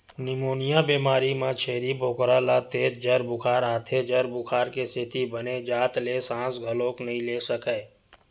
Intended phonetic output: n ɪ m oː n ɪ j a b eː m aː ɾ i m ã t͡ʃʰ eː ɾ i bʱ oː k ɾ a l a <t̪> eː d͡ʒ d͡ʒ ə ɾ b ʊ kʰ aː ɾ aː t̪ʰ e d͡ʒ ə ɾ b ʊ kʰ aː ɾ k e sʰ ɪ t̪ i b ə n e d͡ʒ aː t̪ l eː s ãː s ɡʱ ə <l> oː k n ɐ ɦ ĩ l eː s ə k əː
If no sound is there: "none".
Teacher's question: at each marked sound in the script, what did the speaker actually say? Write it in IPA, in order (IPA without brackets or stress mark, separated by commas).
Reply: t̪, l